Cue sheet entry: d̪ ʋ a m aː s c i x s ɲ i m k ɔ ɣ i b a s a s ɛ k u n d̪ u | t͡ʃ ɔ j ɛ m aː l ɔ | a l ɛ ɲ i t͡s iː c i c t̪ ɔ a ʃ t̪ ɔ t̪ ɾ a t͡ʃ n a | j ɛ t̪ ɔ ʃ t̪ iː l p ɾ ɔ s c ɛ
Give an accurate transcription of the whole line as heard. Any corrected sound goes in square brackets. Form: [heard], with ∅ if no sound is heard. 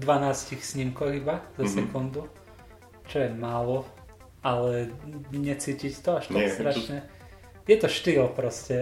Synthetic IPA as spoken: d̪ ʋ a [n] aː s c i x s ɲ i m k ɔ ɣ i b a [z] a s ɛ k u n d̪ u | t͡ʃ ɔ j ɛ m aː l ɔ | a l ɛ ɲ [ɛ] t͡s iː c i c t̪ ɔ a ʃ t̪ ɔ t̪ ɾ a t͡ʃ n [ɛ] | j ɛ t̪ ɔ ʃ t̪ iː l p ɾ ɔ s c ɛ